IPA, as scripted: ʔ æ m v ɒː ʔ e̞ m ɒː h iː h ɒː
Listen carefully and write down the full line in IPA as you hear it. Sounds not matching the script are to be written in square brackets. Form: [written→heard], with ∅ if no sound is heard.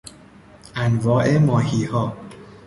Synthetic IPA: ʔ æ [m→n] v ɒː ʔ e̞ m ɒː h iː h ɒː